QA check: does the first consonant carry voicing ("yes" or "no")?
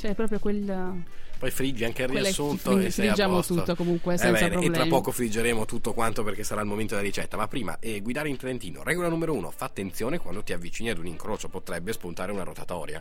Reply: no